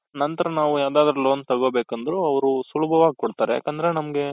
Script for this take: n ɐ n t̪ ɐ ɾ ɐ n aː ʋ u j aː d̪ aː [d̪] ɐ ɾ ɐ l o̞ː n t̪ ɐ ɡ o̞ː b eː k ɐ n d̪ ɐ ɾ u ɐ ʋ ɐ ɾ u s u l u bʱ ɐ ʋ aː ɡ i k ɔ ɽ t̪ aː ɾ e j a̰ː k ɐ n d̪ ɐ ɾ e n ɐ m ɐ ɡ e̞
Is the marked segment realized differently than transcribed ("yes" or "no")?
no